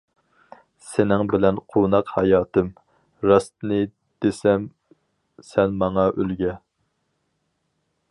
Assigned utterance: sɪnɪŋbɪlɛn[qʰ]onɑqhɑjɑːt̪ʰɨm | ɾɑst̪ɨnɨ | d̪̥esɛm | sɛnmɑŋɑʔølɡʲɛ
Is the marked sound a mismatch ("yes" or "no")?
no